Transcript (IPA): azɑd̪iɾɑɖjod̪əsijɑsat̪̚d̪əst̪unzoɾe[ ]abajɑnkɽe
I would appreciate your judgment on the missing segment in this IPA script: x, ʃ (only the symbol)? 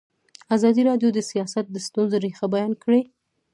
x